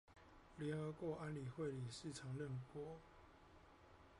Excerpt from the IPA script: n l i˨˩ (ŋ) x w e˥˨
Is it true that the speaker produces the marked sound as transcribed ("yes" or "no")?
no